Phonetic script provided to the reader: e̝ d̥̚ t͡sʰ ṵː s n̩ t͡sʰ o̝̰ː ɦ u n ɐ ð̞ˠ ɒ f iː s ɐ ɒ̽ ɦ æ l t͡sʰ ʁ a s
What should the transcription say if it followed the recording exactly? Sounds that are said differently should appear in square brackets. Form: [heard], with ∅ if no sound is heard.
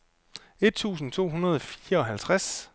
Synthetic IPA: e̝ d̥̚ t͡sʰ ṵː s n̩ t͡sʰ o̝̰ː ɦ u n ɐ ð̞ˠ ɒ f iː [∅] ɐ ɒ̽ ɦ æ l t͡sʰ ʁ a s